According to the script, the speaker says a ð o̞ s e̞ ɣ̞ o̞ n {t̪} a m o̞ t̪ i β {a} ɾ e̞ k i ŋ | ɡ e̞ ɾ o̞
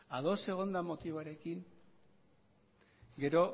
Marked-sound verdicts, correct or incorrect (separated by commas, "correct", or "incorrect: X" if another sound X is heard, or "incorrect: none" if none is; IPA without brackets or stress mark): incorrect: d̪, correct